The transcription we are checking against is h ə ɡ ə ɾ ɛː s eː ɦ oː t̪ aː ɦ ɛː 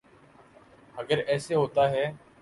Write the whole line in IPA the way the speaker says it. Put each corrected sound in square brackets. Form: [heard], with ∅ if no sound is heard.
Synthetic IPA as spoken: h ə ɡ ə ɾ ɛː s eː ɦ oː t̪ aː ɦ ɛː

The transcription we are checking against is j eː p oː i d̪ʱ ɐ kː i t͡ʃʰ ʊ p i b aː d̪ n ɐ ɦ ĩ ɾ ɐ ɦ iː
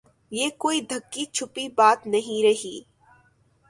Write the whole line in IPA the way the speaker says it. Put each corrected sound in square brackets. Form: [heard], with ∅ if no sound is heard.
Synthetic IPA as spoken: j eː [k] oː i d̪ʱ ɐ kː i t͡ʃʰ ʊ p i b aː [t̪] n ɐ ɦ ĩ ɾ ɐ ɦ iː

